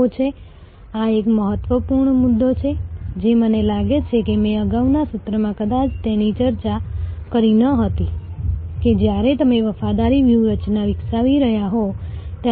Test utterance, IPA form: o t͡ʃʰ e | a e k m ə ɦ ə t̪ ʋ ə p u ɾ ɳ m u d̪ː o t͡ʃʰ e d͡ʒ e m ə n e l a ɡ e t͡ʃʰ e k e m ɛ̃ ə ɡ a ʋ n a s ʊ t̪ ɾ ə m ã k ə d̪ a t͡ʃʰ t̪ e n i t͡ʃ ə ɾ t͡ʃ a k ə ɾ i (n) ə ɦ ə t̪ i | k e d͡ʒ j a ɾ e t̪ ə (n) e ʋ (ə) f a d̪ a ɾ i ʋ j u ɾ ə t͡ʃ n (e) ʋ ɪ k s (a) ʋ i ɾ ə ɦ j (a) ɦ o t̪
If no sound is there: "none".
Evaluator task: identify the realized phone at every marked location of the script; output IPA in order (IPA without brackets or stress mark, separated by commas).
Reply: n, m, ə, a, a, a